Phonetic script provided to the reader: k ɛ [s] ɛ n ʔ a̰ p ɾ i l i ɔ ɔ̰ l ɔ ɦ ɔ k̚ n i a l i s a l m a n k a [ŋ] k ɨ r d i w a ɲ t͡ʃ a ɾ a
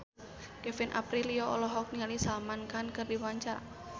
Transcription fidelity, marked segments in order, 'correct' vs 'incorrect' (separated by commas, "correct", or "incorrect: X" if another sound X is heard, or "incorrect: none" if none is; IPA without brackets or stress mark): incorrect: f, incorrect: n